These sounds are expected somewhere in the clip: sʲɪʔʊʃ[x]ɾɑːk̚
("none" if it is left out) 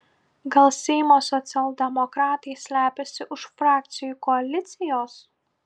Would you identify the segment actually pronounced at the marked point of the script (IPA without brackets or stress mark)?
f